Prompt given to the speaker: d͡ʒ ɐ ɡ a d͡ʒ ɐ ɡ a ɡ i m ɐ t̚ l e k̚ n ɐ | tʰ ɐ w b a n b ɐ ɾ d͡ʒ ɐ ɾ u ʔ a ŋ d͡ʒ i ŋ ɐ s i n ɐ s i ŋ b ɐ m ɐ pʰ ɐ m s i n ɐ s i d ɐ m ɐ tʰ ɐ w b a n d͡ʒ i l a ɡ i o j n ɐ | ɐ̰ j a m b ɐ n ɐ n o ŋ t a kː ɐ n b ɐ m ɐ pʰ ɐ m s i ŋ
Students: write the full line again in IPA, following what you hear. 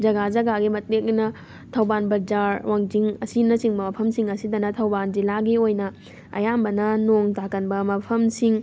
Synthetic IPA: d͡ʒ ɐ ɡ a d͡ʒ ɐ ɡ a ɡ i m ɐ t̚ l e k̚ n ɐ | tʰ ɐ w b a n b ɐ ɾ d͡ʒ a ɾ w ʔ a ŋ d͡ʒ i ŋ ɐ s i n ɐ s i ŋ b ɐ m ɐ pʰ ɐ m s i ŋ ɐ s i d ɐ n ɐ tʰ ɐ w b a n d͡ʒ i l a ɡ i o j n ɐ | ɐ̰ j a m b ɐ n ɐ n o ŋ t a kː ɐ n b ɐ m ɐ pʰ ɐ m s i ŋ

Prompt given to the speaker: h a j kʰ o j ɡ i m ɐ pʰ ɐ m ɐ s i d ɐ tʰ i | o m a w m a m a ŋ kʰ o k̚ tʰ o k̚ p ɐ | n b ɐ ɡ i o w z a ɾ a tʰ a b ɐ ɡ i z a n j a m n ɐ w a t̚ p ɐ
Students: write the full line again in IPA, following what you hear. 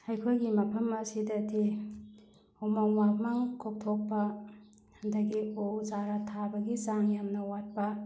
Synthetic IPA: h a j kʰ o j ɡ i m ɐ pʰ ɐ m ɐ s i d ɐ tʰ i | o m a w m a m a ŋ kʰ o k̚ tʰ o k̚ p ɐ | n d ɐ ɡ i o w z a ɾ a tʰ a b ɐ ɡ i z a ŋ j a m n ɐ w a t̚ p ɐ

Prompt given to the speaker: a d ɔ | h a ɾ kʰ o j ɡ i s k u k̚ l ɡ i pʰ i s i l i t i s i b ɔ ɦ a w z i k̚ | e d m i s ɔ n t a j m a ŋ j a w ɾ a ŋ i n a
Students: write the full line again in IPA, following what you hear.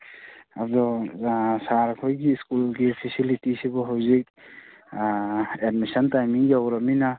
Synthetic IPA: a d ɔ | s a ɾ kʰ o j ɡ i s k u l ɡ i pʰ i s i l i t i s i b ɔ ɦ a w z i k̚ | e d m i s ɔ n t a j m i ŋ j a w ɾ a m i n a

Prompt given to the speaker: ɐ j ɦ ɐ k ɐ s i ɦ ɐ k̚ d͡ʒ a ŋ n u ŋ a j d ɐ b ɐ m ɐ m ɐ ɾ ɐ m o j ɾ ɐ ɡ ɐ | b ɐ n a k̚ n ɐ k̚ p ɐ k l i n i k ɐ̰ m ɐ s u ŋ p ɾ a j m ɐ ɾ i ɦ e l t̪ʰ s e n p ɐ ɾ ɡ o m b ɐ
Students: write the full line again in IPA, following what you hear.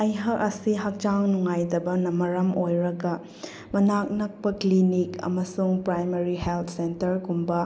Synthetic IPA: ɐ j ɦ ɐ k ɐ s i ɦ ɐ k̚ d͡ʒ a ŋ n u ŋ a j d ɐ b ɐ n ɐ m ɐ ɾ ɐ m o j ɾ ɐ ɡ ɐ | m ɐ n a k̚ n ɐ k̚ p ɐ k l i n i k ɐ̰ m ɐ s u ŋ p ɾ a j m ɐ ɾ i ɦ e l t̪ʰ s e n t ɐ ɾ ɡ u m b ɐ

